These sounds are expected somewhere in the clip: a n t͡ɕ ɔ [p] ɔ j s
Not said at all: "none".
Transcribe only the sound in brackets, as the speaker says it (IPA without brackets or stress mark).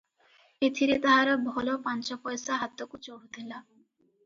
p